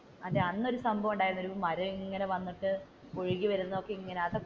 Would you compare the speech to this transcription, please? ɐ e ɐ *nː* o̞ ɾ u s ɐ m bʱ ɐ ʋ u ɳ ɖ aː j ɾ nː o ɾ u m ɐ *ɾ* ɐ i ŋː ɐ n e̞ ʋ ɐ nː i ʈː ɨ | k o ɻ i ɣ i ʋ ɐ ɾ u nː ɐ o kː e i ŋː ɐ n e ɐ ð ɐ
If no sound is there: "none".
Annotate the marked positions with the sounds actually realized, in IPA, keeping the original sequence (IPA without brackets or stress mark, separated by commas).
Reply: nː, ɾ